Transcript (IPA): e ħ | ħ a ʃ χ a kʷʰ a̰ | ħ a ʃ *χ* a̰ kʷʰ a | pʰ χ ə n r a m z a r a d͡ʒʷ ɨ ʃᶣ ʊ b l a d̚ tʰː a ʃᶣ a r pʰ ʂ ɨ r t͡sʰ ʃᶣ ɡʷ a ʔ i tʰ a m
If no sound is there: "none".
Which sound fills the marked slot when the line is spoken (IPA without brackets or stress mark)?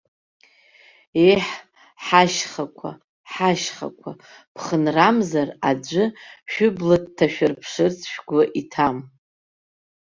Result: χ